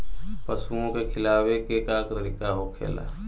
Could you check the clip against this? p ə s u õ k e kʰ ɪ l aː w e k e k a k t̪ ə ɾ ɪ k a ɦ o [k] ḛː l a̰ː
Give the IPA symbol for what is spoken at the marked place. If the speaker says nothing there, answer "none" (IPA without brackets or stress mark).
kʰ